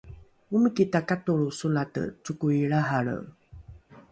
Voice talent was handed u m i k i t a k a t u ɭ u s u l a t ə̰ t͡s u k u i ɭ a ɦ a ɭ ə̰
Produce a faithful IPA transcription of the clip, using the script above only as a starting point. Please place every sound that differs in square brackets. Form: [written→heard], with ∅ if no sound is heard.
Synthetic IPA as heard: u m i k i t a k a t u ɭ u s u l a t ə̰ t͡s u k u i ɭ a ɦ a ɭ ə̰